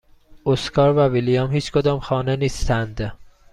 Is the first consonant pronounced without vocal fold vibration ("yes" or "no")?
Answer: yes